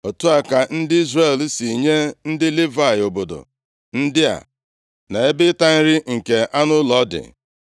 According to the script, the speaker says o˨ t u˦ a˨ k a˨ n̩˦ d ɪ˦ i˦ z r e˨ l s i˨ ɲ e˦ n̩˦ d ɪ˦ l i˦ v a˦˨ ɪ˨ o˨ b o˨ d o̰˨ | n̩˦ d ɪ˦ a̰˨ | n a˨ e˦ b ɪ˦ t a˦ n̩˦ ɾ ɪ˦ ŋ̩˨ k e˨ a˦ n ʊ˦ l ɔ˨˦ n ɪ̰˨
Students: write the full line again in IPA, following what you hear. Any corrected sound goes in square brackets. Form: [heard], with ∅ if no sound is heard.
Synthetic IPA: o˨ t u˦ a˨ k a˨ n̩˦ d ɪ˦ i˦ z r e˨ l s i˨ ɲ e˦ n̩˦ d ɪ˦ l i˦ v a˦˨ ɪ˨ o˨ b o˨ d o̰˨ | n̩˦ d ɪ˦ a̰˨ | n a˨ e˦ b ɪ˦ t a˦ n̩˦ ɾ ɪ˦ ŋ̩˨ k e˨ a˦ n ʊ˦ l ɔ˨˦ [d] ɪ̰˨